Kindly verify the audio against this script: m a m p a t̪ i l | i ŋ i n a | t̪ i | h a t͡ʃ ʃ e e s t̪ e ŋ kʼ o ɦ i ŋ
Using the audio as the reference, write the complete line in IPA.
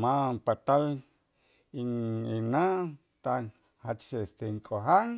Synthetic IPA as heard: m a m p a t̪ a l | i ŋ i n a | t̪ a | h a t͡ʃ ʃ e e s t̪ e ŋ kʼ o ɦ a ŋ